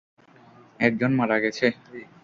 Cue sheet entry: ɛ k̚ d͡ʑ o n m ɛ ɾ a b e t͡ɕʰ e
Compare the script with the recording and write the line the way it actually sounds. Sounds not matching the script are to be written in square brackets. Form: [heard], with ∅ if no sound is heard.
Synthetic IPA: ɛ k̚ d͡ʑ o n m [a] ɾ a [ɡ] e t͡ɕʰ e